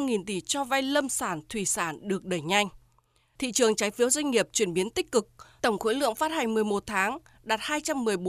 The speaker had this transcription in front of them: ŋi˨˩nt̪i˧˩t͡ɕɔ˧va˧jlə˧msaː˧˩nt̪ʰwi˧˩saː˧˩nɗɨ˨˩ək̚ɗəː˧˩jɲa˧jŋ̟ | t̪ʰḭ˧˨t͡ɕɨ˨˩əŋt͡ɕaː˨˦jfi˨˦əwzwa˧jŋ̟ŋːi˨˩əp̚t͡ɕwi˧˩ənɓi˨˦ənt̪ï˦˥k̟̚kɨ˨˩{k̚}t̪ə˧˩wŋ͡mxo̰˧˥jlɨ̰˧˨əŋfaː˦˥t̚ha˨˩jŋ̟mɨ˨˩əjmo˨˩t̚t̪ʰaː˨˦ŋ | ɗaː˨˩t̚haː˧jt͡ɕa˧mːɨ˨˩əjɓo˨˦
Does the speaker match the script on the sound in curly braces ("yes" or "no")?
yes